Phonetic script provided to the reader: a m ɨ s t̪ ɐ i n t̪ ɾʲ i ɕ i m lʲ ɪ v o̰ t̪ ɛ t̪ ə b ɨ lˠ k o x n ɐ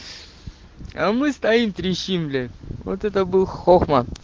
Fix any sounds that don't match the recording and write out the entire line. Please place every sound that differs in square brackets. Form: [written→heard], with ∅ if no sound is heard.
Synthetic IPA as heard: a m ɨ s t̪ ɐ i [n→m] t̪ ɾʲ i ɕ i m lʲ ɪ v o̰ t̪ ɛ t̪ ə b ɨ lˠ [k→x] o x [n→m] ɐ